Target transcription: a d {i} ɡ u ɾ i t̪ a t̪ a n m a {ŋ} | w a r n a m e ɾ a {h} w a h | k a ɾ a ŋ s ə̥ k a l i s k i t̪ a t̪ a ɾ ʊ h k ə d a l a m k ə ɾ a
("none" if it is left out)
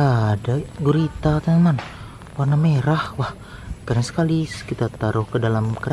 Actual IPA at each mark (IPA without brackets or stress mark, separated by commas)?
a, n, h